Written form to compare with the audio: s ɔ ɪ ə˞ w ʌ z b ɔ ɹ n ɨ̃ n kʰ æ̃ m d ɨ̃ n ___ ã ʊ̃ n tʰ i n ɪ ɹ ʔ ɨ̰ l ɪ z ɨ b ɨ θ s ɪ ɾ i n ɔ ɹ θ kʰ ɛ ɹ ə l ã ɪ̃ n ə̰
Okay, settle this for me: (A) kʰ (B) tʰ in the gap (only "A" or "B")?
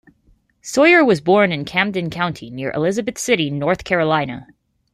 A